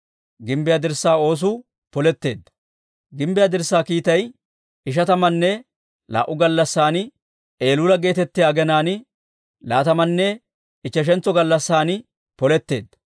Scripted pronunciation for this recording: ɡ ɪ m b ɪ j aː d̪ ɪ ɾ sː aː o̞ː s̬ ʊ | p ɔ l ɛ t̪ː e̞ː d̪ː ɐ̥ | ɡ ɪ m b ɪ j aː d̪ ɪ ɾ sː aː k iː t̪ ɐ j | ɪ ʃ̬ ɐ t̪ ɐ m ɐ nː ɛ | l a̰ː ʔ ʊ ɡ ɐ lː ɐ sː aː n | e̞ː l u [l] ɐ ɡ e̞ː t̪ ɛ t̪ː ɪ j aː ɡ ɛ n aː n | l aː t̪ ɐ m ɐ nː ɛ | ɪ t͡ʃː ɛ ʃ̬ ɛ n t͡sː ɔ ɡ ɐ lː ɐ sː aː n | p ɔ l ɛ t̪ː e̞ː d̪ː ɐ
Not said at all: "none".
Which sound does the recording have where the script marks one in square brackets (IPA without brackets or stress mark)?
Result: l